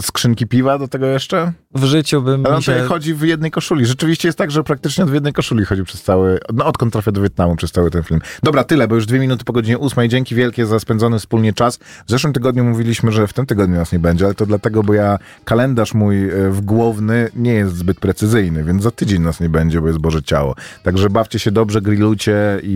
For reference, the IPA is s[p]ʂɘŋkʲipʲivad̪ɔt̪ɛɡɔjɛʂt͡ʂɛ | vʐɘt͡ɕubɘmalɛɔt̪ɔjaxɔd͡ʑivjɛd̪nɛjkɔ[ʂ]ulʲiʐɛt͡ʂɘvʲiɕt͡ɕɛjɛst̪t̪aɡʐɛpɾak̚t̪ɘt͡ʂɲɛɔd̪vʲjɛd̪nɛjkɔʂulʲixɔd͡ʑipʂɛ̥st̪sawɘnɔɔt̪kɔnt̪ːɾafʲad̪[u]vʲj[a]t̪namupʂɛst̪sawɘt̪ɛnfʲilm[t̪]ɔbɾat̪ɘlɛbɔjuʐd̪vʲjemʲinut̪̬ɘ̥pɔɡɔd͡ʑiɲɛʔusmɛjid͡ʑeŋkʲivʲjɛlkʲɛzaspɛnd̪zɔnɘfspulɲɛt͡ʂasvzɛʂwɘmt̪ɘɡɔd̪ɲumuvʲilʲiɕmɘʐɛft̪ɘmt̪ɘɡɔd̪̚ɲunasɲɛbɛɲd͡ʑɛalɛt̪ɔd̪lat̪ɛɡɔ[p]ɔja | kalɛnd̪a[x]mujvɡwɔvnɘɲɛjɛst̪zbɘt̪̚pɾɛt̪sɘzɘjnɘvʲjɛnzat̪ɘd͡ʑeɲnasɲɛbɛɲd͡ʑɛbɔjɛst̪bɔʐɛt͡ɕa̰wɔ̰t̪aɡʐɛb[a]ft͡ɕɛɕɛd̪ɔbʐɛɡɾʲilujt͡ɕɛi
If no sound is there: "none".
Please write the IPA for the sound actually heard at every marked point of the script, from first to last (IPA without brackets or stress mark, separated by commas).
k, ʂ, ɔ, ɛ, d̪, b, ʂ, a